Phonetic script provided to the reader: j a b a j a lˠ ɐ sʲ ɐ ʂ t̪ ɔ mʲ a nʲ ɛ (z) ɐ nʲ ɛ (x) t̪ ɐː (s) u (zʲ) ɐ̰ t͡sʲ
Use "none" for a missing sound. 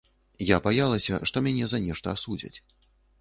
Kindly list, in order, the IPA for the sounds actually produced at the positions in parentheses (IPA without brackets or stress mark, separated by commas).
z, ʂ, s, d͡zʲ